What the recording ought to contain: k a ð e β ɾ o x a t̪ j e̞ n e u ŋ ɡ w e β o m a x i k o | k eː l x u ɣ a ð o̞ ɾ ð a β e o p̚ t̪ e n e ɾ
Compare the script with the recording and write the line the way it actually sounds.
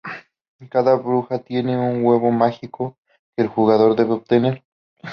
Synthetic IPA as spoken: k a ð a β ɾ u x a t̪ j e̞ n e u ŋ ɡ w e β o m a x i k o | k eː l x u ɣ a ð o̞ ɾ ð e β e o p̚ t̪ e n e ɾ